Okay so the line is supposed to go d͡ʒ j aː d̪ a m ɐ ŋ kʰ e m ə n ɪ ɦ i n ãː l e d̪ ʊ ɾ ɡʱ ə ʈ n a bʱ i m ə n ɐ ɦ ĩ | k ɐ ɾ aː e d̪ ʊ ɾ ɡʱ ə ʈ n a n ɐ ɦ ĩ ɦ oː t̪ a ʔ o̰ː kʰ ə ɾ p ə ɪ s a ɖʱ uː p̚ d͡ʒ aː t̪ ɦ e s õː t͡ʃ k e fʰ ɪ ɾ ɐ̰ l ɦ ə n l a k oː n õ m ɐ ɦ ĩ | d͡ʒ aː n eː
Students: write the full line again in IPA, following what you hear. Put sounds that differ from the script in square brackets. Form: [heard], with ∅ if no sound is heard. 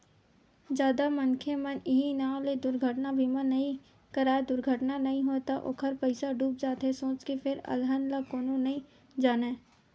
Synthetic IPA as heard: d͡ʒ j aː d̪ a m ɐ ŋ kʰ e m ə n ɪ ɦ i n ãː l e d̪ ʊ ɾ ɡʱ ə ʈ n a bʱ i m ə n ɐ ɦ ĩ | k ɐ ɾ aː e d̪ ʊ ɾ ɡʱ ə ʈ n a n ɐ ɦ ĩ ɦ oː t̪ a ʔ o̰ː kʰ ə ɾ p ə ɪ s a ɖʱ uː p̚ d͡ʒ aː t̪ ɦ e s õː t͡ʃ k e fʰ ɪ ɾ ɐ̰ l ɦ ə n l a k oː n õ [n] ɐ ɦ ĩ | d͡ʒ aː n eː